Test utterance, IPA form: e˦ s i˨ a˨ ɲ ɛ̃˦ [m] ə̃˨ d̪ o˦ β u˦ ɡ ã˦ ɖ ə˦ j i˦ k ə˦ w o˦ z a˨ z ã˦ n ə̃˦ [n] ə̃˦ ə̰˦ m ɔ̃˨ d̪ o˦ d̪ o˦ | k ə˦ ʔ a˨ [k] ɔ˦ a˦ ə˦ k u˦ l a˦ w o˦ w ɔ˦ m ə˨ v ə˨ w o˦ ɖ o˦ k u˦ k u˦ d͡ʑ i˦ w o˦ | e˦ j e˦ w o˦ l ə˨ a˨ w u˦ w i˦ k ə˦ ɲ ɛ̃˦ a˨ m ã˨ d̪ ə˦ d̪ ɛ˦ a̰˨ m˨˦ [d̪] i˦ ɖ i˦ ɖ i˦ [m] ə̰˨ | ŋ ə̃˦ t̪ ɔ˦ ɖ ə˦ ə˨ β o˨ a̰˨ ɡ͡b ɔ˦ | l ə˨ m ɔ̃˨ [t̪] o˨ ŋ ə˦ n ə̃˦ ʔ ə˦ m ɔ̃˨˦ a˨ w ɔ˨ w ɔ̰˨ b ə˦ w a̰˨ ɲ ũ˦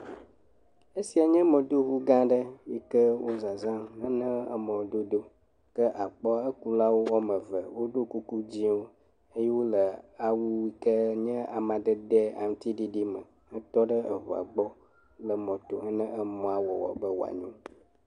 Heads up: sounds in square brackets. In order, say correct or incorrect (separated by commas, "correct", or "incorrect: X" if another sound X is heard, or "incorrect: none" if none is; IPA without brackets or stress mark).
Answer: correct, correct, incorrect: k͡p, incorrect: t̪, correct, correct